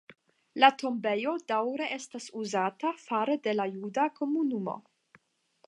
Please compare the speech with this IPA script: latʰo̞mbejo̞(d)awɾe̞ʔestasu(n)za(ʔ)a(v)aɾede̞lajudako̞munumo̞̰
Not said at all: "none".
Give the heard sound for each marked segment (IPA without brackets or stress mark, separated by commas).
d, none, t, f